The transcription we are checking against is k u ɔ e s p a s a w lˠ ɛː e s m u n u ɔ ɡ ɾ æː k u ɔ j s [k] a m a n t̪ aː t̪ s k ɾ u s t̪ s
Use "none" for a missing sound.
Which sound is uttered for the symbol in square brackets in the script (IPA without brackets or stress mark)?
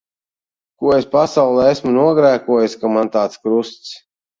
k